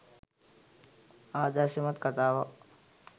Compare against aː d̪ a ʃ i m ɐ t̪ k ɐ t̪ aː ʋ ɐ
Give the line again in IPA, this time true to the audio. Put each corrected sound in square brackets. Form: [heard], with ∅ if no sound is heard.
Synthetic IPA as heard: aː d̪ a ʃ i m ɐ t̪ k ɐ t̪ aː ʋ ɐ